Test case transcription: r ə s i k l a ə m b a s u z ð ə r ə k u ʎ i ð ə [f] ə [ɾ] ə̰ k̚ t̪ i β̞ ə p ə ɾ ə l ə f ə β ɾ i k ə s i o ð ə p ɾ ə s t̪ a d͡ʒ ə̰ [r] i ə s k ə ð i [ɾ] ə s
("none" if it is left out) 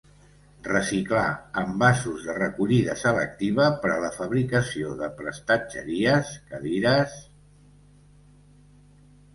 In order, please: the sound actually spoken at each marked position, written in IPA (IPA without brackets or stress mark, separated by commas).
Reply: s, l, ɾ, ɾ